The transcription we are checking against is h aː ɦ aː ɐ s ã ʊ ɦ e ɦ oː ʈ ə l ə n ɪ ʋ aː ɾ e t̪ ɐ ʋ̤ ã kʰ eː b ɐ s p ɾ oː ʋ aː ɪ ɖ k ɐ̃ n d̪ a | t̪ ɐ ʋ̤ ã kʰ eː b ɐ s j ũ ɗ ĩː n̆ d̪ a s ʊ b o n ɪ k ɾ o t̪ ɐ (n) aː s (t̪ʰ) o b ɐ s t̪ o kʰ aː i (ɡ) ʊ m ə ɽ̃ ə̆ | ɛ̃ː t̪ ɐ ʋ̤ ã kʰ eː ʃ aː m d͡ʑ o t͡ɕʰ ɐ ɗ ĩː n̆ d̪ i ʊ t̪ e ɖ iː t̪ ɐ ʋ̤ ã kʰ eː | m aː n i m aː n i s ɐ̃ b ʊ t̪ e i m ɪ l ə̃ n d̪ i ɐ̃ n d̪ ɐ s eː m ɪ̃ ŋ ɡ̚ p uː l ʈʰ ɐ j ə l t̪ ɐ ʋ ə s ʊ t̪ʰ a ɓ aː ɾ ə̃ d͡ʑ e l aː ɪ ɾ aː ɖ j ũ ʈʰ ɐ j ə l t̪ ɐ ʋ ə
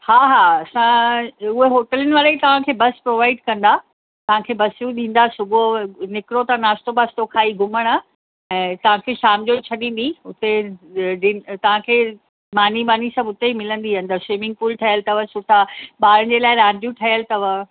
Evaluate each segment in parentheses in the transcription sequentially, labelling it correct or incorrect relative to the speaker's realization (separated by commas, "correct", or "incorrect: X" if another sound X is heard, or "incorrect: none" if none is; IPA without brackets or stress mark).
correct, incorrect: t̪, correct